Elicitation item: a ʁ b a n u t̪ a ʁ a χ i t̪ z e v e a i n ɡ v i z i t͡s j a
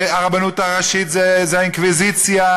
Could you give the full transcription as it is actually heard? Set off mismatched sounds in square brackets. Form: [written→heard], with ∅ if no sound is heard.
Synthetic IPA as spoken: a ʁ b a n u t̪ a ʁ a [χ→ʃ] i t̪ z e [v→z] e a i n [ɡ→k] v i z i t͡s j a